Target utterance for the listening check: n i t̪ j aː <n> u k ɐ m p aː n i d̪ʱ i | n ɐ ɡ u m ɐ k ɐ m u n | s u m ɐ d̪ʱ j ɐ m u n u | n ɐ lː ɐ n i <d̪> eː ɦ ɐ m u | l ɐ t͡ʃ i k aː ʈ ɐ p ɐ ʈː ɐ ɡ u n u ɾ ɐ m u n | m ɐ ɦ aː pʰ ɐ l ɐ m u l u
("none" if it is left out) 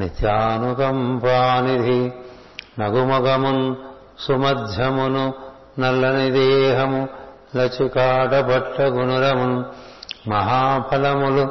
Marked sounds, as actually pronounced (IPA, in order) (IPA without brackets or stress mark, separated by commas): n, d̪